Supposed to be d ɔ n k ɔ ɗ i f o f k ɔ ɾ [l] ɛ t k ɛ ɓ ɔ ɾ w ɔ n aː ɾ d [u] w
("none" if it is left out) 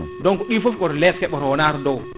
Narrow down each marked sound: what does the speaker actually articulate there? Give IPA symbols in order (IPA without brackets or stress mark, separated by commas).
l, ɔ